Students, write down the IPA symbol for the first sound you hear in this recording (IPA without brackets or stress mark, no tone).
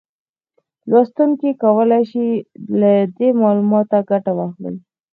l